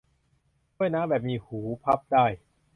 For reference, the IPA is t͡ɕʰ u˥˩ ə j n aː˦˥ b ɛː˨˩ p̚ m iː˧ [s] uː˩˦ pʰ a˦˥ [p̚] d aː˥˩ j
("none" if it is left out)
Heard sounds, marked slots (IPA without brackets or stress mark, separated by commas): h, p̚